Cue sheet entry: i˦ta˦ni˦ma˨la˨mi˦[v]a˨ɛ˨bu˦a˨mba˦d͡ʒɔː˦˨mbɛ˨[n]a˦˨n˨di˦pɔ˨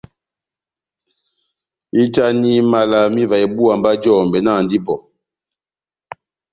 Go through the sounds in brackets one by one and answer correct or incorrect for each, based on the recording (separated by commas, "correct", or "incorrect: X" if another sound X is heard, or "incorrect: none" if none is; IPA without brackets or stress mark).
correct, correct